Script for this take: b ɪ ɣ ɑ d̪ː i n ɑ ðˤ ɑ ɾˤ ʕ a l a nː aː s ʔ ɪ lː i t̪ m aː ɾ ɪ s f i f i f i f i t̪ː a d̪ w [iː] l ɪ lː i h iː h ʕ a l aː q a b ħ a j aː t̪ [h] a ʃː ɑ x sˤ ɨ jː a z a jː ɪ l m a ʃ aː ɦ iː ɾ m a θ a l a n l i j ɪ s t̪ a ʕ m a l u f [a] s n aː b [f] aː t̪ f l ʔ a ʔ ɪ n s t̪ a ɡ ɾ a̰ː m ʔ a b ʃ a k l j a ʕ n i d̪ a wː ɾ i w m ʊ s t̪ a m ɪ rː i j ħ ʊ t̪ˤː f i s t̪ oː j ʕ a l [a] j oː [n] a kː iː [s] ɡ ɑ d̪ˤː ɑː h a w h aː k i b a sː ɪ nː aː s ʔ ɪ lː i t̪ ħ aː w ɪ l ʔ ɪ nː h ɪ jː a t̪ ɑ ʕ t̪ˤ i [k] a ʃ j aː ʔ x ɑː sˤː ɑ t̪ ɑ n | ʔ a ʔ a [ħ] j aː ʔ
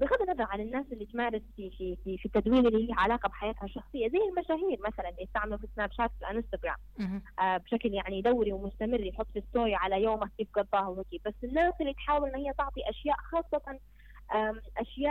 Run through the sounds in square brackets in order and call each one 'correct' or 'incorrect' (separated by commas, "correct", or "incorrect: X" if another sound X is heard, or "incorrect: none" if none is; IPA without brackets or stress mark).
correct, correct, incorrect: i, incorrect: ʃ, correct, incorrect: m, incorrect: f, incorrect: ʔ, incorrect: ʃ